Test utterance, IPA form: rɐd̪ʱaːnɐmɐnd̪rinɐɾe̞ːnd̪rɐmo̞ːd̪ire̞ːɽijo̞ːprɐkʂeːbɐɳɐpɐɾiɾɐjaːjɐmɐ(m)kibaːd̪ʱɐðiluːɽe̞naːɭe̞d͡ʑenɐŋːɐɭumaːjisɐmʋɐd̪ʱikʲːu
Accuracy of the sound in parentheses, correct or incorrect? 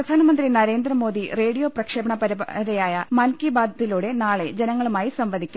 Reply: incorrect: n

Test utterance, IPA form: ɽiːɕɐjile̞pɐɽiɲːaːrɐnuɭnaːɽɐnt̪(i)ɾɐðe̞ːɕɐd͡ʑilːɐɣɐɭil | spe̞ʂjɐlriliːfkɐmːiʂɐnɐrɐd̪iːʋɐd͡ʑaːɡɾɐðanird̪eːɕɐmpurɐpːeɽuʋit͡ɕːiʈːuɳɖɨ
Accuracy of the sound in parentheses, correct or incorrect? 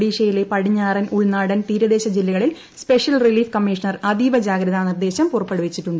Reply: incorrect: iː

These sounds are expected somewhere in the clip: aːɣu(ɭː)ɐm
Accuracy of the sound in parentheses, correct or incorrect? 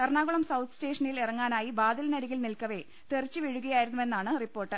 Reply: incorrect: ɭ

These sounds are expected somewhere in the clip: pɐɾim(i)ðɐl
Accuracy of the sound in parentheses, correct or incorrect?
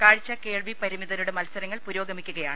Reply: correct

